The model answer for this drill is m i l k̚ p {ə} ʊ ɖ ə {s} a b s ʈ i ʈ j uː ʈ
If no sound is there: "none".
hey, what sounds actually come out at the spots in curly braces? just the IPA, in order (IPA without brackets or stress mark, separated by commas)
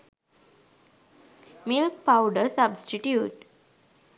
a, s